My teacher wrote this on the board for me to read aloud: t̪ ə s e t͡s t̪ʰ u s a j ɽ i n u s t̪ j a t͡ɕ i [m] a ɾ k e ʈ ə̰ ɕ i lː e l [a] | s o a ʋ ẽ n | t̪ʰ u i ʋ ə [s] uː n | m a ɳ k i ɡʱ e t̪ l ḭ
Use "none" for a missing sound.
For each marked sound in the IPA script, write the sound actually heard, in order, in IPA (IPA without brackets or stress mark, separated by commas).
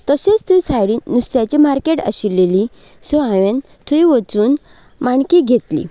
m, i, t͡s